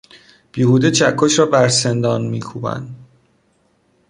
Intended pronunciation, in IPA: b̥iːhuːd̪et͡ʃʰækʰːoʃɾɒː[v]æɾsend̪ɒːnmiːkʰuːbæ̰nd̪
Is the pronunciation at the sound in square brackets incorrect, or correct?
incorrect